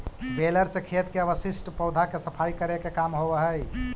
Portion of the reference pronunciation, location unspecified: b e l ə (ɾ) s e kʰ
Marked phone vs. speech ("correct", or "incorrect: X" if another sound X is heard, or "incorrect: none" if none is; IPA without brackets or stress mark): correct